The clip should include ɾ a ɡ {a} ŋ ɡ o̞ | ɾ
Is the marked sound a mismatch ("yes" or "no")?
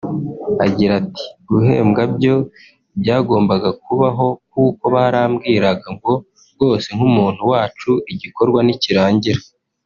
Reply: no